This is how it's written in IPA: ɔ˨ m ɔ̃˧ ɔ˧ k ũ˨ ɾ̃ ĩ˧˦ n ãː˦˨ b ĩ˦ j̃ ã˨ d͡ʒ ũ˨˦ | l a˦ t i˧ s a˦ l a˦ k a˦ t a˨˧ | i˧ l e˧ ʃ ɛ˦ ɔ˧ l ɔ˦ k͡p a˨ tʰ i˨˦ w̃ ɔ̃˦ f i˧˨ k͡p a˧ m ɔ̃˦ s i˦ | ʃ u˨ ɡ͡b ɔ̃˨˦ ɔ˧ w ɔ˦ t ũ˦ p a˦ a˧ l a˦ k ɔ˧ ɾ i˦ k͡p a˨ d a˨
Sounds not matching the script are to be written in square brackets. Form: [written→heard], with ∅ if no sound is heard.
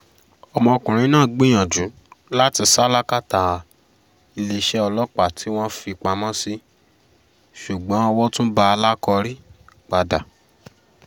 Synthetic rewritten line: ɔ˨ m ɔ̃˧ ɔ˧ k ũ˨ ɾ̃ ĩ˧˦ n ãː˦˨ [b→ɡ͡b] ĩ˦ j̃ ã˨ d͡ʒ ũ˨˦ | l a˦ t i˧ s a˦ l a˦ k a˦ t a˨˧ | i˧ l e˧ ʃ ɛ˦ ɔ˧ l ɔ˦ k͡p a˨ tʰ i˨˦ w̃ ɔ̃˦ f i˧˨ k͡p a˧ m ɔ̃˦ s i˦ | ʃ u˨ ɡ͡b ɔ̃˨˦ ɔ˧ w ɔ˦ t ũ˦ [p→b] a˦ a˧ l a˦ k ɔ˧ ɾ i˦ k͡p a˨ d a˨